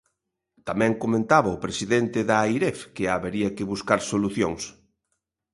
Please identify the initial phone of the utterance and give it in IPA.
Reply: t̪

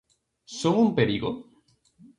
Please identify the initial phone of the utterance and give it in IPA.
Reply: s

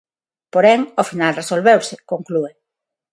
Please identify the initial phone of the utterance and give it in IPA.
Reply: p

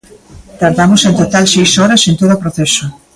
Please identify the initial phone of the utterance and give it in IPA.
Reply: t̪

